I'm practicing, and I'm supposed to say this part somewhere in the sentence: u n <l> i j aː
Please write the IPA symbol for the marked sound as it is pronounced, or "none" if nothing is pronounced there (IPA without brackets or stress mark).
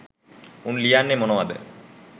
l